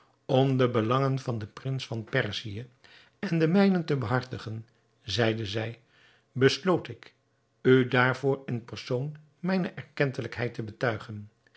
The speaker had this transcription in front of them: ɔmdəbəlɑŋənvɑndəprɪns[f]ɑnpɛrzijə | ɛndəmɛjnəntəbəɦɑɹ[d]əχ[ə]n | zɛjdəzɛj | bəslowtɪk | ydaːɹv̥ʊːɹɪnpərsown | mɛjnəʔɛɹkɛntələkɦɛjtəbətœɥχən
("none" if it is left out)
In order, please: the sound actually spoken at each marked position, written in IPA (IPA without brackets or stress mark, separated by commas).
f, t, ə